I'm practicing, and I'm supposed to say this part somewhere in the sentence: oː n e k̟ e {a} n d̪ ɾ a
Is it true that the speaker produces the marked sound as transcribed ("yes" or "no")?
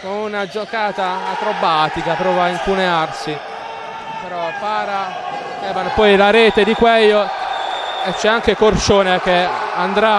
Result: yes